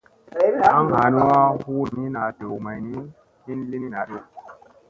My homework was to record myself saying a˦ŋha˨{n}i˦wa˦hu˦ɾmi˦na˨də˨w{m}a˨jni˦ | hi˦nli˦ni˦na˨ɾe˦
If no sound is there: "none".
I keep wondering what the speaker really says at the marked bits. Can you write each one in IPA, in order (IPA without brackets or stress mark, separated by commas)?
n, m